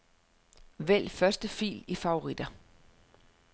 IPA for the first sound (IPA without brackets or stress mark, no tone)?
ʋ